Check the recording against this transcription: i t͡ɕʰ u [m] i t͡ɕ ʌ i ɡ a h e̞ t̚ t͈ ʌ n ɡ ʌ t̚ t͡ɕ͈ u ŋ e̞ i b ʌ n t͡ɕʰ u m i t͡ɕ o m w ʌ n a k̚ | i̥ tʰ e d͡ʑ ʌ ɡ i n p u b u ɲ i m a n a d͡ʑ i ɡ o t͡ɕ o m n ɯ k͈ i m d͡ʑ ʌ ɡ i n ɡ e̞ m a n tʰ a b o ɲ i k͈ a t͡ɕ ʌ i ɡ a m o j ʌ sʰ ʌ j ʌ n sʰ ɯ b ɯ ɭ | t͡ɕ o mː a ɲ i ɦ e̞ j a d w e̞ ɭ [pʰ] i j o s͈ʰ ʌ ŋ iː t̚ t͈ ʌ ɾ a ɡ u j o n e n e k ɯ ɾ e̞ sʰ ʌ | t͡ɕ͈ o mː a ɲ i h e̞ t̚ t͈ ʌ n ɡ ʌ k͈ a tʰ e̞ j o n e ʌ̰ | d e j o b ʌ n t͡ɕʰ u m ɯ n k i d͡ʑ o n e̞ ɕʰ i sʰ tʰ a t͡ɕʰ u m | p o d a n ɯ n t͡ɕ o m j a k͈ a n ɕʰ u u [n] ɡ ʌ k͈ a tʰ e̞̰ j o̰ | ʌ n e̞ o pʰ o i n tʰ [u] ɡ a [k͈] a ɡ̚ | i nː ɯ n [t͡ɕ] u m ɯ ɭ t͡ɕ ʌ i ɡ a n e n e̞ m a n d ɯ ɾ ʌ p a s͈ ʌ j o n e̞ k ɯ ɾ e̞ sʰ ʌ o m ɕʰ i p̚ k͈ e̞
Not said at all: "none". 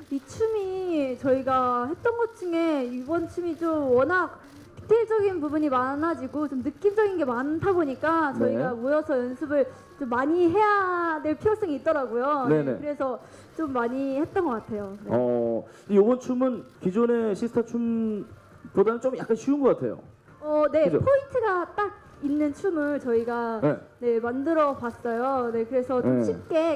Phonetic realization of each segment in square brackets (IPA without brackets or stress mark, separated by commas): m, pʰ, n, ɯ, t͈, t͡ɕʰ